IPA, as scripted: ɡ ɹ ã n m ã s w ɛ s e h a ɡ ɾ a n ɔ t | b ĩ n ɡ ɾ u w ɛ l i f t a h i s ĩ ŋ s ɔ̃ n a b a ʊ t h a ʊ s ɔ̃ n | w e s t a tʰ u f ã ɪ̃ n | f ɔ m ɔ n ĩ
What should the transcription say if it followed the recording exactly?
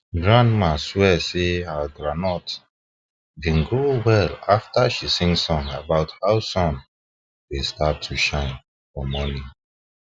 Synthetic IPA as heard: ɡ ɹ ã n m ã s w ɛ s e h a ɡ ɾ a n ɔ t | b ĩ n ɡ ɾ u w ɛ l a f t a ʃ i s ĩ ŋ s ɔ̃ n a b a ʊ t h a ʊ s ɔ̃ n | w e s t a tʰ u ʃ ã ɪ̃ n | f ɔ m ɔ n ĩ